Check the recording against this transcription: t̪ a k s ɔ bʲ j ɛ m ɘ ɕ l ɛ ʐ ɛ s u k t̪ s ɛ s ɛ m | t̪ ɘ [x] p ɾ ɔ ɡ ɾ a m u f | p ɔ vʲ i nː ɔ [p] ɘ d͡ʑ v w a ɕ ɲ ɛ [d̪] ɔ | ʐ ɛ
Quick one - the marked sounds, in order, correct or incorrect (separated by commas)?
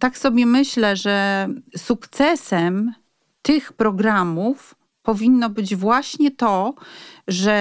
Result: correct, incorrect, incorrect